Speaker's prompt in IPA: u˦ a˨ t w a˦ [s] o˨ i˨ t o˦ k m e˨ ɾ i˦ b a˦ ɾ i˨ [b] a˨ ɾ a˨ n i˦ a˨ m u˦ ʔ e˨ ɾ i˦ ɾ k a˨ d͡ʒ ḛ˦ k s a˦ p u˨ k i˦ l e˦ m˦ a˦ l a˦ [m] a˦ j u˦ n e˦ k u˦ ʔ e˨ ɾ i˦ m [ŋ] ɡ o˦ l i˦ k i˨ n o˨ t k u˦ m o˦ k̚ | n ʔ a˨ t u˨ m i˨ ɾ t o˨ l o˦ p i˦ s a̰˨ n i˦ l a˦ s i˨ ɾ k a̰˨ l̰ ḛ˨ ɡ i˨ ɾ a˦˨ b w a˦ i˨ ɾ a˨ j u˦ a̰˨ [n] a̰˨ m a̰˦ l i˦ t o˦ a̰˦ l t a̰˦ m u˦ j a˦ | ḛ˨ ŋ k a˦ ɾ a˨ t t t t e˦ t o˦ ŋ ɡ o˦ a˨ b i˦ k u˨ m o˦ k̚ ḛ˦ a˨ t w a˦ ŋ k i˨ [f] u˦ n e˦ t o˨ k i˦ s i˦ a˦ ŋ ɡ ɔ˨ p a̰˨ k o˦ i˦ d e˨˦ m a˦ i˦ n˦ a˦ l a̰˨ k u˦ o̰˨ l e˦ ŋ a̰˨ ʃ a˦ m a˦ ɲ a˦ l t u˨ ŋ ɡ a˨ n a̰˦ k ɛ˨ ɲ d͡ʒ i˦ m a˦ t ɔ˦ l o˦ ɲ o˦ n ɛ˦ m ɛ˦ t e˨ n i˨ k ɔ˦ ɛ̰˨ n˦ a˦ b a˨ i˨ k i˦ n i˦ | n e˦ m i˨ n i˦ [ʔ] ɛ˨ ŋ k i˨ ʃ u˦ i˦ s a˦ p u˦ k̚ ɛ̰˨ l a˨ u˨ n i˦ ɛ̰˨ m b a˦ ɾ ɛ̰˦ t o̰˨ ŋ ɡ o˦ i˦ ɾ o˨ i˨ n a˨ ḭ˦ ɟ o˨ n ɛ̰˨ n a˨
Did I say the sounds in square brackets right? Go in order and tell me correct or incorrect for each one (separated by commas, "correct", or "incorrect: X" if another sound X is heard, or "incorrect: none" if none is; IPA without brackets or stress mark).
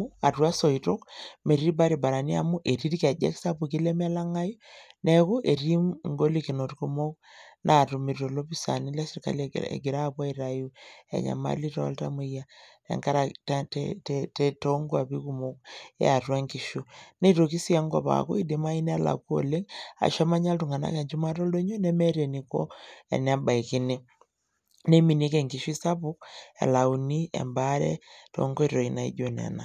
correct, correct, incorrect: ŋ, correct, incorrect: ɲ, incorrect: ʃ, incorrect: k